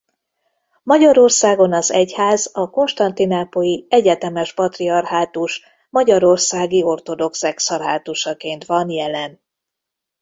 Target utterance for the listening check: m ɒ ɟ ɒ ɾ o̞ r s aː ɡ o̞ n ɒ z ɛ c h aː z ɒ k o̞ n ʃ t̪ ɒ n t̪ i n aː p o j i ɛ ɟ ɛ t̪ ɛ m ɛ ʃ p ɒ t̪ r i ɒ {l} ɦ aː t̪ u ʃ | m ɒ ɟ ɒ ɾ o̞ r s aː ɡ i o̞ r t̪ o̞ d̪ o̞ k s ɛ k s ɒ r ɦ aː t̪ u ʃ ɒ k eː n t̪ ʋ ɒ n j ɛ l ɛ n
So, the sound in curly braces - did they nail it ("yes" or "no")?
no